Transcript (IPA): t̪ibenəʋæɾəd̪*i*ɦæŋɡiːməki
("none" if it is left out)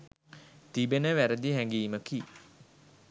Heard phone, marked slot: i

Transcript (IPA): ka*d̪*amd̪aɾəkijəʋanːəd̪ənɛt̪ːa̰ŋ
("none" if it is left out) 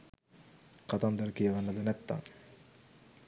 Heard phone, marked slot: t̪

